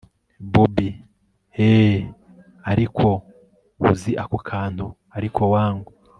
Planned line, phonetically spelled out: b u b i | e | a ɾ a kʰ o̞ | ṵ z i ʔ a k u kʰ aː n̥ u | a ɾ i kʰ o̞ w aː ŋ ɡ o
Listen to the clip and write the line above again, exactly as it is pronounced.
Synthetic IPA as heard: b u b i | e | a ɾ i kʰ o̞ | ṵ z i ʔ a k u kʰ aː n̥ u | a ɾ i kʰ o̞ w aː ŋ ɡ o